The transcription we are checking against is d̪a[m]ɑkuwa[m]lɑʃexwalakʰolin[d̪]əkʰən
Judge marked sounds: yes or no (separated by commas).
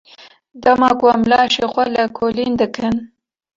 yes, yes, yes